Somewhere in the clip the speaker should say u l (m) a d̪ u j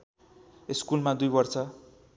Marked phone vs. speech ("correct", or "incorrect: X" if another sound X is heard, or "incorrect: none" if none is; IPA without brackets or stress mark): correct